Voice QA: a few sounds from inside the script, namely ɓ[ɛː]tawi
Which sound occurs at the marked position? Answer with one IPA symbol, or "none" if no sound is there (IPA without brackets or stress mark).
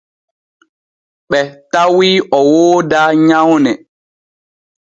ɛ